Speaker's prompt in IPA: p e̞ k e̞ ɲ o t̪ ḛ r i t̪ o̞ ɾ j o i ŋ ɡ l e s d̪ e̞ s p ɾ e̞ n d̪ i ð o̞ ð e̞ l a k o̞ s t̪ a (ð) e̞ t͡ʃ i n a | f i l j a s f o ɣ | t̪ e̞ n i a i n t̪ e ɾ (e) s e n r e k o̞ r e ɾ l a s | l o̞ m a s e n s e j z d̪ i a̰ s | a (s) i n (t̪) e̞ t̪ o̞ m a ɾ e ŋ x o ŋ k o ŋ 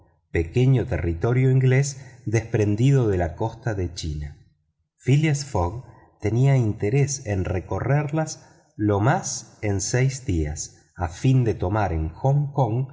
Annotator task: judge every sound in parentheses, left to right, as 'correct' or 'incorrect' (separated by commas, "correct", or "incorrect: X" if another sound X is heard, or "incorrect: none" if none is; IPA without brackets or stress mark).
correct, correct, incorrect: f, incorrect: d̪